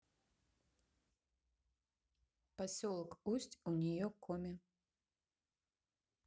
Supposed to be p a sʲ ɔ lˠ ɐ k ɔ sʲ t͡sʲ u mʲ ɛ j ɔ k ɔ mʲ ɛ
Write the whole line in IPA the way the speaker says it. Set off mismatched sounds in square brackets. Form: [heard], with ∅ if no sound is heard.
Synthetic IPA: p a sʲ ɔ lˠ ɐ k [u] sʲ t͡sʲ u [nʲ] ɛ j ɔ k ɔ mʲ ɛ